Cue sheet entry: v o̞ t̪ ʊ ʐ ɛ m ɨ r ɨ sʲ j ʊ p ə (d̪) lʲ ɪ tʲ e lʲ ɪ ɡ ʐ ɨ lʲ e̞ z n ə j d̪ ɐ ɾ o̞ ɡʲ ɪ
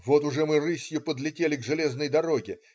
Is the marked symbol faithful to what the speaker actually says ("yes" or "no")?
yes